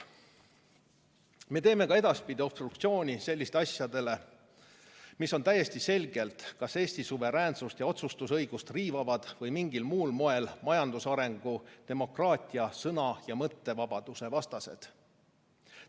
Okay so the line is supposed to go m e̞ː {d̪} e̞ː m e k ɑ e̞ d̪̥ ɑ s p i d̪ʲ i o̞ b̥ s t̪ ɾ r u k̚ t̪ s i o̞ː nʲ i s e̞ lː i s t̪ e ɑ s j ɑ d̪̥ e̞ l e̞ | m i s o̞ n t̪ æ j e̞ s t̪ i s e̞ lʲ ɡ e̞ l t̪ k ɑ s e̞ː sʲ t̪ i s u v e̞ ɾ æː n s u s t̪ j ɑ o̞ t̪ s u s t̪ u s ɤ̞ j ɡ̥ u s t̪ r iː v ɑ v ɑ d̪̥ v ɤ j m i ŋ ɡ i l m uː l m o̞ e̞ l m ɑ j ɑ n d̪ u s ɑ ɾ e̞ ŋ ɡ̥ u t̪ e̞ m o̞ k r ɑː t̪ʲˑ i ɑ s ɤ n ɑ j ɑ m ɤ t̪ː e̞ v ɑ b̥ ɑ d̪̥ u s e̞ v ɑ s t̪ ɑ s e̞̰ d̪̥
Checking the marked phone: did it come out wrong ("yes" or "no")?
yes